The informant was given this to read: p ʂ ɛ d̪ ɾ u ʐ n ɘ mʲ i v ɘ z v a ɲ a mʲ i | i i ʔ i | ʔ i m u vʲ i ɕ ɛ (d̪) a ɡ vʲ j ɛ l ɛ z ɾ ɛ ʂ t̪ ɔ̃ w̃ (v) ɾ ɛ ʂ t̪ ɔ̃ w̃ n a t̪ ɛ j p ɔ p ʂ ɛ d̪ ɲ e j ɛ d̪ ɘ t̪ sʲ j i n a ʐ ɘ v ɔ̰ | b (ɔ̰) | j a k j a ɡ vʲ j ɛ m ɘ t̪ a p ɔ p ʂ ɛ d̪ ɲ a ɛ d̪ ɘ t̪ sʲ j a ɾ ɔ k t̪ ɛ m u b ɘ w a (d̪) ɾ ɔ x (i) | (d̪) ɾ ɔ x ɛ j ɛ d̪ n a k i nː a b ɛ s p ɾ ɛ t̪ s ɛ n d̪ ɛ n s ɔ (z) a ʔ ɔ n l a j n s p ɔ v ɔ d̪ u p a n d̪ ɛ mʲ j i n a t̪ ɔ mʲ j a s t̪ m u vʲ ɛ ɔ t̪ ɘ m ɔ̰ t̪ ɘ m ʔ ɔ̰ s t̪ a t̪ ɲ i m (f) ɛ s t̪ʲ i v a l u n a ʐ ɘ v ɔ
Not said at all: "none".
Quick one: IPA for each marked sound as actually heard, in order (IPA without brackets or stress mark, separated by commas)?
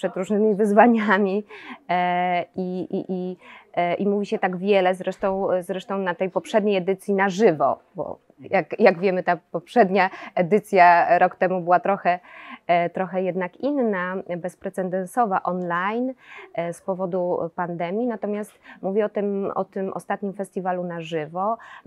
t̪, z, ɔ̰, t̪, ɛ, t̪, v, f